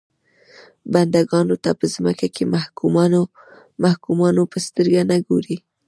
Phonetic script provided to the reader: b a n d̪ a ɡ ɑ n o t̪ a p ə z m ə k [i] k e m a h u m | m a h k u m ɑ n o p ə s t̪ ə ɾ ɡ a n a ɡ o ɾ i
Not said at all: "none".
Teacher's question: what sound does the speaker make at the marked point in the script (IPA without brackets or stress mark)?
a